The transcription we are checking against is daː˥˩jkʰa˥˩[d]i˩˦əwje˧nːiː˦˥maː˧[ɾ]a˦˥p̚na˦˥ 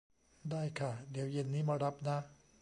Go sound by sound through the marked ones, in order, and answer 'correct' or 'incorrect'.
correct, correct

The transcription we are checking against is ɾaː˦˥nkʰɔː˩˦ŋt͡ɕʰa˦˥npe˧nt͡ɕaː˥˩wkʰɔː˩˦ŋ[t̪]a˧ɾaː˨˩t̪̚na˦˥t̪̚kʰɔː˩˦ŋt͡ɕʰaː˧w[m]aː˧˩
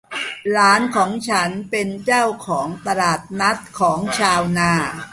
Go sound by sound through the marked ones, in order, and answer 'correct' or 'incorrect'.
correct, incorrect

